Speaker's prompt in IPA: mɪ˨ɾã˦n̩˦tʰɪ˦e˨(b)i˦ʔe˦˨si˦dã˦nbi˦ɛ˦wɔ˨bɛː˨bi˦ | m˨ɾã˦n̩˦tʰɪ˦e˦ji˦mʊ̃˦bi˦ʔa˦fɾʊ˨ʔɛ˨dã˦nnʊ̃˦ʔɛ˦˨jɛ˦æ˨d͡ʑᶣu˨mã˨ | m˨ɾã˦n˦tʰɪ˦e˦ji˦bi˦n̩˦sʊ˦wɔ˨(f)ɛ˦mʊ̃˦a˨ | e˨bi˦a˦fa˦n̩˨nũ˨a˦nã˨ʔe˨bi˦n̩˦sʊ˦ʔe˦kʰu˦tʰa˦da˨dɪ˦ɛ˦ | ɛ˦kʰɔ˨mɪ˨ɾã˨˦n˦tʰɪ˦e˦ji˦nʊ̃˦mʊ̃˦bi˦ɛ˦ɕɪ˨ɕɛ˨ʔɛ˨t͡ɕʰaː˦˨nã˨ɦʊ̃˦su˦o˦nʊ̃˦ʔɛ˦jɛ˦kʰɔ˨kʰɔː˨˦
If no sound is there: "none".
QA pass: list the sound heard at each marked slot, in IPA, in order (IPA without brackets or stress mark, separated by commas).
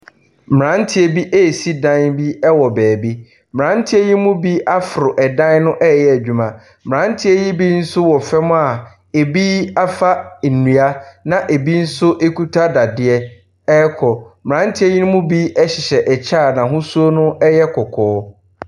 b, f